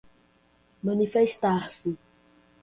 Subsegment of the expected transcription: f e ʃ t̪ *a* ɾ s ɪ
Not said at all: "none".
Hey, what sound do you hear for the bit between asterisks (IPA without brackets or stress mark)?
a